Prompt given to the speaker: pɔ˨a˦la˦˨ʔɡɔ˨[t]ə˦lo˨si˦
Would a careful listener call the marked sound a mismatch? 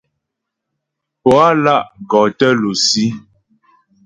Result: no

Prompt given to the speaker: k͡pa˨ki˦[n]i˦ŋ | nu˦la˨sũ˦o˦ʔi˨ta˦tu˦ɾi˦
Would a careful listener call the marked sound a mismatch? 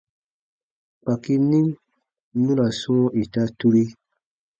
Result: no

